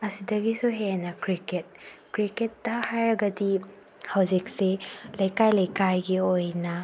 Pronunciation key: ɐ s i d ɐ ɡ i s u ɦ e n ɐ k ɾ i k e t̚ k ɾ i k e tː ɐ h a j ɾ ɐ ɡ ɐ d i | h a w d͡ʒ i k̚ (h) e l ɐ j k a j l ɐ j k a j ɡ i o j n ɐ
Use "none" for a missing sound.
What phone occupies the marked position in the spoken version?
s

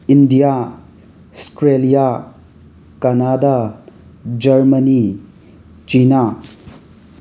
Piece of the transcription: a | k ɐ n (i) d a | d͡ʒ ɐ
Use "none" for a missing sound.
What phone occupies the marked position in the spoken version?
a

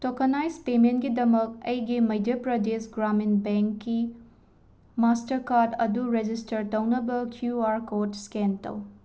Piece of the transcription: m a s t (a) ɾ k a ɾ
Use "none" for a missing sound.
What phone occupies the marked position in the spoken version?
ɐ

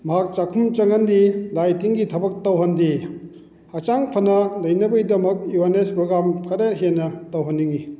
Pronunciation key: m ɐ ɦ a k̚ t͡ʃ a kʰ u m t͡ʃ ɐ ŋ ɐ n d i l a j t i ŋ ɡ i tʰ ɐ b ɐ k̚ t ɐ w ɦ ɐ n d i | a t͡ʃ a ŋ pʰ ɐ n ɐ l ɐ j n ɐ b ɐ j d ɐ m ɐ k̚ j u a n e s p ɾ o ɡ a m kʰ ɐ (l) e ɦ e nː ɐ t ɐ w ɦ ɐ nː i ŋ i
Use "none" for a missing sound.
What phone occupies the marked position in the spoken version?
ɾ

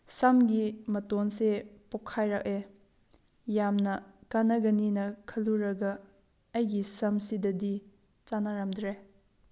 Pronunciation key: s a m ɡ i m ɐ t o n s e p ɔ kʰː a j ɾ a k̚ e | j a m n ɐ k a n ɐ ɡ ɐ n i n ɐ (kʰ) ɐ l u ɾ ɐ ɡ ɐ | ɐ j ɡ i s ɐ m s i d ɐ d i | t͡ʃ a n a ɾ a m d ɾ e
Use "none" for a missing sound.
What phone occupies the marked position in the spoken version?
kʰ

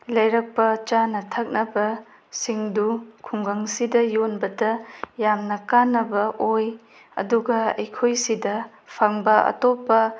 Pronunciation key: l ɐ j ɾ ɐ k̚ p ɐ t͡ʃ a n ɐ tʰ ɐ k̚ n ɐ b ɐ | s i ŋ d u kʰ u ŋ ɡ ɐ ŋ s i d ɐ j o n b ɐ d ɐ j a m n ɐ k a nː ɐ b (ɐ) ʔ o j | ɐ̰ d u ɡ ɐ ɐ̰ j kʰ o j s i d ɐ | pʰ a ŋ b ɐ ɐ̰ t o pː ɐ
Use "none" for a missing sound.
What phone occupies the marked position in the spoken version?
ɐ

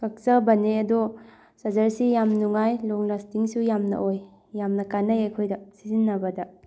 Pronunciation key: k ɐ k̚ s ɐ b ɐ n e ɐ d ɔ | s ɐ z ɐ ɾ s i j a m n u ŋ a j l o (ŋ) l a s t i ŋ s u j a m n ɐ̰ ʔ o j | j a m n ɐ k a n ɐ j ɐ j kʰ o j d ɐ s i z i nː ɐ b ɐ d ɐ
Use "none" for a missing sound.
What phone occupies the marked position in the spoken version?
ŋ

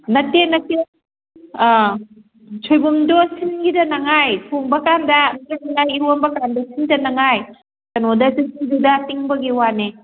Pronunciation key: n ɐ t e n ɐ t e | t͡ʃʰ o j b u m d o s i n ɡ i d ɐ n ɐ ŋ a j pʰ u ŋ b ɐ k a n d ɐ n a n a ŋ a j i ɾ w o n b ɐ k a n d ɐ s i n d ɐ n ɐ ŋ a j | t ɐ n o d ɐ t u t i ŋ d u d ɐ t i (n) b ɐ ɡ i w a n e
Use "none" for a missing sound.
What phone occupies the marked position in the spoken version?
ŋ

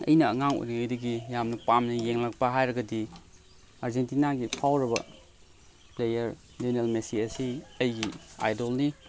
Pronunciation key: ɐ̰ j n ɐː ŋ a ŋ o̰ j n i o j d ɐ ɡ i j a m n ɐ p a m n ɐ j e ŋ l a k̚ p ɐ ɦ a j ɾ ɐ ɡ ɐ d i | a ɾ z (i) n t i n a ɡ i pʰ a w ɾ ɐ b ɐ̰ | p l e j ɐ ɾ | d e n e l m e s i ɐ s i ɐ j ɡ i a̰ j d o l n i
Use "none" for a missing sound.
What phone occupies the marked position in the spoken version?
e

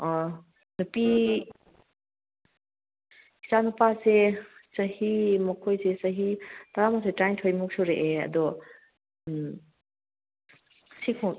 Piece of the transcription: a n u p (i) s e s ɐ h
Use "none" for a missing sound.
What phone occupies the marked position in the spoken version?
a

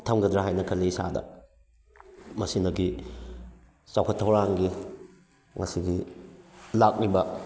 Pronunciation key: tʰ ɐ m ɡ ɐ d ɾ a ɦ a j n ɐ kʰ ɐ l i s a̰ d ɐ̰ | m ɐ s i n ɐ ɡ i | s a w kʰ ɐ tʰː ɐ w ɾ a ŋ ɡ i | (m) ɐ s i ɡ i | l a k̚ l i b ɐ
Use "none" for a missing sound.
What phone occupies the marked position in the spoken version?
ŋ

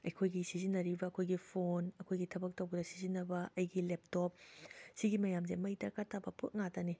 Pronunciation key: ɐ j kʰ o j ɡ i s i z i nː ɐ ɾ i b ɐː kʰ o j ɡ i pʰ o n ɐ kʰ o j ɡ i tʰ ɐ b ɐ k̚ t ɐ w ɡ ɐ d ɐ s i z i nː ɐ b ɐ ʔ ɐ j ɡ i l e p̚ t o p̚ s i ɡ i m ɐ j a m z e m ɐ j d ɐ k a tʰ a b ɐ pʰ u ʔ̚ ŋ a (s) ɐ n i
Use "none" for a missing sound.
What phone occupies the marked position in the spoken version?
t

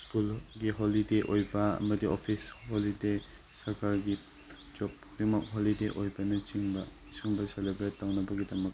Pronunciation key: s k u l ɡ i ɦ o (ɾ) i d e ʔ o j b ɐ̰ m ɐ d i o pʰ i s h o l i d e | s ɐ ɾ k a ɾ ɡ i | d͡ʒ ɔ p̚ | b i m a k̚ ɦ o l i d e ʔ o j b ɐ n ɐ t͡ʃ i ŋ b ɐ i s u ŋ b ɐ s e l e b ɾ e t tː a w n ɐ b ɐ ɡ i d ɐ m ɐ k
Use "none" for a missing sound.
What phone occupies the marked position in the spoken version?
l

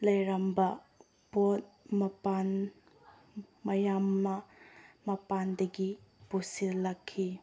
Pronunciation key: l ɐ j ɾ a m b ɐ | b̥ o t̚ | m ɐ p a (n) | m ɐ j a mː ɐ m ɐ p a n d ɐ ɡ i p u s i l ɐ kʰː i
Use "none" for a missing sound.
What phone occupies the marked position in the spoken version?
n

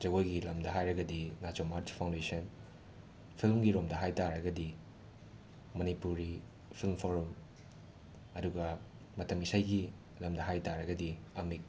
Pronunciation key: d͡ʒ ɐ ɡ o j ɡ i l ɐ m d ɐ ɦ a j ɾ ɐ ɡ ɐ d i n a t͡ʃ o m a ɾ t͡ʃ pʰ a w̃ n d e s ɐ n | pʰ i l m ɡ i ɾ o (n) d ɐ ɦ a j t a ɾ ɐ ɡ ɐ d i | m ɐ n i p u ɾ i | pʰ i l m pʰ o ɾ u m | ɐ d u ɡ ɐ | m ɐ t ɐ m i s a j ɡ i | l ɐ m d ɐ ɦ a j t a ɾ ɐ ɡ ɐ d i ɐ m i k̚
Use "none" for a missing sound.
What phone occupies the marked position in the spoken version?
m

